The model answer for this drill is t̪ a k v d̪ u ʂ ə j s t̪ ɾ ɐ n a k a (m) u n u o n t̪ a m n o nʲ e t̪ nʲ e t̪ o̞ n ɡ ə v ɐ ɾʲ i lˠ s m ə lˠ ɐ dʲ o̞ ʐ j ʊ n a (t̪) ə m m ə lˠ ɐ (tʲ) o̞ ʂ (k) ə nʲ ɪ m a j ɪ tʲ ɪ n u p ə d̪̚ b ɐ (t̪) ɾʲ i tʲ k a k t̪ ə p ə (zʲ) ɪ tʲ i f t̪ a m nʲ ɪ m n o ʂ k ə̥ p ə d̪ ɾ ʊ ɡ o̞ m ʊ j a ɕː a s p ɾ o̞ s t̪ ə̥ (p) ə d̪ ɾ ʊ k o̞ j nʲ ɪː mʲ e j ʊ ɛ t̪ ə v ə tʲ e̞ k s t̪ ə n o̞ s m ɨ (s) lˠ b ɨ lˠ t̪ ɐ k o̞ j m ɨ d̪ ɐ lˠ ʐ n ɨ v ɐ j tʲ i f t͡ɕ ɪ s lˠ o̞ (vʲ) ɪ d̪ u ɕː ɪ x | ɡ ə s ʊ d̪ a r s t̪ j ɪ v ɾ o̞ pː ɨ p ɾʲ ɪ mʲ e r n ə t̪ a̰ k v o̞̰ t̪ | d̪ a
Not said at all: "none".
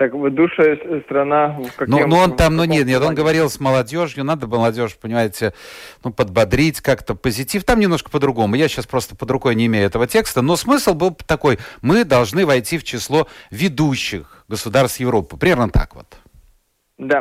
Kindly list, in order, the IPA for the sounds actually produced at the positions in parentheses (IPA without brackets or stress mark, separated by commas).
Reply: n, d̪, dʲ, p, d̪, zʲ, p, s, vʲ